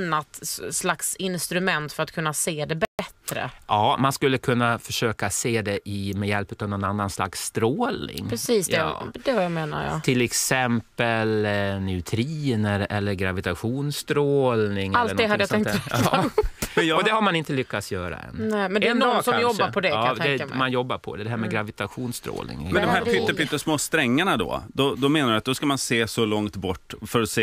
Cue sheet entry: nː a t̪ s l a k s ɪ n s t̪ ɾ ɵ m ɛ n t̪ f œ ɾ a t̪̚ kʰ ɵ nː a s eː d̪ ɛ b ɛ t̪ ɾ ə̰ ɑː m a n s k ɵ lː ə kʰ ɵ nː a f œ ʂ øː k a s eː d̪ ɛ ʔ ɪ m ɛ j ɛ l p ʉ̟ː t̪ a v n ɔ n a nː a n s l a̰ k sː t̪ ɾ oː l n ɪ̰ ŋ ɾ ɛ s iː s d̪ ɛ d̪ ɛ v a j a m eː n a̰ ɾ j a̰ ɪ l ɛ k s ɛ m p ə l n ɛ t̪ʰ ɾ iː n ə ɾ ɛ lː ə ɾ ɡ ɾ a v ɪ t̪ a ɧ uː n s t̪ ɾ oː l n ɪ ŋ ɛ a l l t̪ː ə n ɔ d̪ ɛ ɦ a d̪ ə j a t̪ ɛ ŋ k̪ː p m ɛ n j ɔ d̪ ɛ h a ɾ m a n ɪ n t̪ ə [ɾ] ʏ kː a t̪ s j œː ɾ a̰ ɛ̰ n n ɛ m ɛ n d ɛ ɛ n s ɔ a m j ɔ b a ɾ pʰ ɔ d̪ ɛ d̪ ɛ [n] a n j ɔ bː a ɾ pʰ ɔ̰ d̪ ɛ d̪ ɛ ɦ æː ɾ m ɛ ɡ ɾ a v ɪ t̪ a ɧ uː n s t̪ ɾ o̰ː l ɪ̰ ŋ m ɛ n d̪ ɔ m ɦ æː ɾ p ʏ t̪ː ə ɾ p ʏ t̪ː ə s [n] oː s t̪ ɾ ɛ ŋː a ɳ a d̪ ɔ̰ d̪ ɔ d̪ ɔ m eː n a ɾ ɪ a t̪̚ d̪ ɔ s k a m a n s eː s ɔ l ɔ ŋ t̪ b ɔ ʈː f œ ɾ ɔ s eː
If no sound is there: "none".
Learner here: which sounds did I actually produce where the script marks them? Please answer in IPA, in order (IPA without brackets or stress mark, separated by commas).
l, m, m